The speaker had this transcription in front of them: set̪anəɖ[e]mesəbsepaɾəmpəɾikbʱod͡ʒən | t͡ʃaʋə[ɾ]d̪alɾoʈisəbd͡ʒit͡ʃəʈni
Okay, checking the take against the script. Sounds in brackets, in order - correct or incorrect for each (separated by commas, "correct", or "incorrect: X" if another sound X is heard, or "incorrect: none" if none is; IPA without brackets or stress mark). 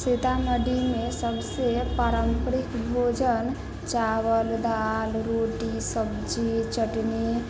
incorrect: i, incorrect: l